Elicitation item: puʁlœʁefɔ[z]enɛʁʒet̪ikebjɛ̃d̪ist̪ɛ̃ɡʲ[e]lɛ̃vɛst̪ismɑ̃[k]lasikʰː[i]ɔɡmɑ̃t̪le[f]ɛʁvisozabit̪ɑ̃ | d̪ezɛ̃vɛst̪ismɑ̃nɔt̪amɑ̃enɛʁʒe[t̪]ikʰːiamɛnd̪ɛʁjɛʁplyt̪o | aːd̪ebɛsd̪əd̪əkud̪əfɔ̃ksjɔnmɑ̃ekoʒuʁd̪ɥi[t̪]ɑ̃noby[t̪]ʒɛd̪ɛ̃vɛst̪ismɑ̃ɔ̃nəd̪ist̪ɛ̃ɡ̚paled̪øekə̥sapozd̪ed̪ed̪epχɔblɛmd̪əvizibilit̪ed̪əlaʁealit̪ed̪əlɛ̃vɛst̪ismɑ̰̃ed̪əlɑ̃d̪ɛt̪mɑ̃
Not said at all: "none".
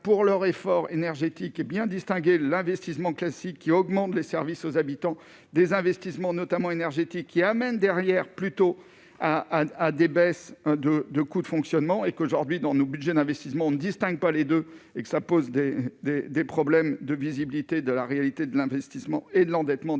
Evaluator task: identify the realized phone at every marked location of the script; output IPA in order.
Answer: ʁ, e, k, i, s, t̪, d̪, d̪

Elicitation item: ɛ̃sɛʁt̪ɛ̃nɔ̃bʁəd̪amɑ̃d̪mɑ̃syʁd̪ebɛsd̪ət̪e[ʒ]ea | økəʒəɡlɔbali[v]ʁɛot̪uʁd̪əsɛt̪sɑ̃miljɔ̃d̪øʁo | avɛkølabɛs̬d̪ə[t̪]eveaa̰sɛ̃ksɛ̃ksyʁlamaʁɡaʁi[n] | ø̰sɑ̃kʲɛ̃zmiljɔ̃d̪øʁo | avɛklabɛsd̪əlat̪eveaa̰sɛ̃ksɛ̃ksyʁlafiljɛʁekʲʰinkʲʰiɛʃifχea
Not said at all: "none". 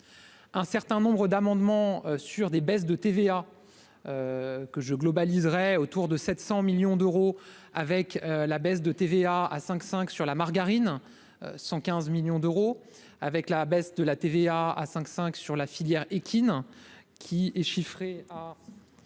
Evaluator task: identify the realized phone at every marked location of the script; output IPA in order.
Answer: v, z, t̪, n

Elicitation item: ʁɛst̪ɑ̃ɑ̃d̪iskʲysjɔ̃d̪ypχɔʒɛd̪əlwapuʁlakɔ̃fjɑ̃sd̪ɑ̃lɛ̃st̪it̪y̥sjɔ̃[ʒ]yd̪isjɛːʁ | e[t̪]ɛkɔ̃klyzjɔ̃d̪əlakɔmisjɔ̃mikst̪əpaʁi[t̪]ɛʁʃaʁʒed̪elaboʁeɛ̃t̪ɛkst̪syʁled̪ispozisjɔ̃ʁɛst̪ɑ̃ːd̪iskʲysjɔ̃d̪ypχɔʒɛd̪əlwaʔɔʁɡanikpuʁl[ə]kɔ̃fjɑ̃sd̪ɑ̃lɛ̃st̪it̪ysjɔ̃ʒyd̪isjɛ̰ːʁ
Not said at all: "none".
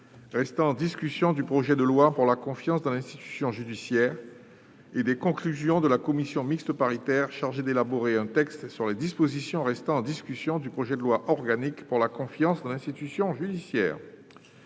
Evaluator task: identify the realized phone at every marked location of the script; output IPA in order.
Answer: ʒ, d̪, t̪, a

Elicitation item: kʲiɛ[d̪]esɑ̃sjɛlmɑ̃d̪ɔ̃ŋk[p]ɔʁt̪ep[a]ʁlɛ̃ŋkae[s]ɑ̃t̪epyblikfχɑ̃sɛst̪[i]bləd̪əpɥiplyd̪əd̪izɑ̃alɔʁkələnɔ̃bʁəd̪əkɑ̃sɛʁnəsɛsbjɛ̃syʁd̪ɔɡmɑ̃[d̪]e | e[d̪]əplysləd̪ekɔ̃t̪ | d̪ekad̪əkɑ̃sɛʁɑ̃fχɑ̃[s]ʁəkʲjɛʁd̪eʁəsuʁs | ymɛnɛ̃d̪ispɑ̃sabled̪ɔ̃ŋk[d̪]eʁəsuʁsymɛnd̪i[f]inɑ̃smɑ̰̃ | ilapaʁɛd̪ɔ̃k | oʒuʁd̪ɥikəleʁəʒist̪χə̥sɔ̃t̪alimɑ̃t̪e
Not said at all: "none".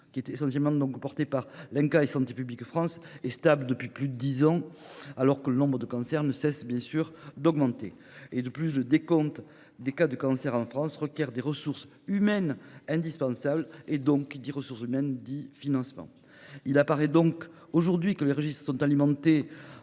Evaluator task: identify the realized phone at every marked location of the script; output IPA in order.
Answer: t̪, p, a, s, a, t̪, d̪, s, d̪, f

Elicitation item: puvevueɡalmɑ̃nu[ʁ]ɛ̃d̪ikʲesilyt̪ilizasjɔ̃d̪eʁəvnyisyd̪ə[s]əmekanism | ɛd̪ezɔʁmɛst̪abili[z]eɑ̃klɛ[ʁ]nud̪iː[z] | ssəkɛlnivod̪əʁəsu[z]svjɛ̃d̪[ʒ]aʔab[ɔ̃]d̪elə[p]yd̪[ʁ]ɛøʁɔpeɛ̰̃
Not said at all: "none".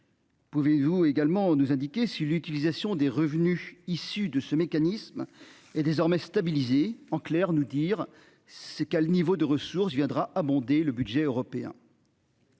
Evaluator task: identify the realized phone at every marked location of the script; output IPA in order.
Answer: z, s, z, ʁ, ʁ, ʁ, ʁ, ɔ̃, b, ʒ

